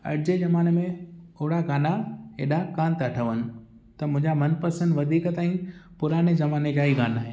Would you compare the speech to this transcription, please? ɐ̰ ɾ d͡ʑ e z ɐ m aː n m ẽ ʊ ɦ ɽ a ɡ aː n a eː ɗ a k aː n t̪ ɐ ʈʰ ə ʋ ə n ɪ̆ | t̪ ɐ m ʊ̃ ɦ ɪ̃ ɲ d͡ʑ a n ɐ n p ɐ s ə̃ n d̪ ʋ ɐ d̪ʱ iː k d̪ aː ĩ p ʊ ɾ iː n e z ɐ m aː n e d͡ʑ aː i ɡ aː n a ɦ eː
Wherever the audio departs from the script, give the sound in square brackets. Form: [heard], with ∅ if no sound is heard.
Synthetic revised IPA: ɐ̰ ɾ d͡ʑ e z ɐ m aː n m ẽ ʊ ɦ ɽ a ɡ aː n a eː ɗ a k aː n t̪ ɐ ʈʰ ə ʋ ə n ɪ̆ | t̪ ɐ m ʊ̃ ɦ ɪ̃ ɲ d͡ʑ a [m] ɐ n p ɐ s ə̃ n d̪ ʋ ɐ d̪ʱ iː k [t̪] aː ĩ p ʊ ɾ [aː] n e z ɐ m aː n e d͡ʑ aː i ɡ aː n a ɦ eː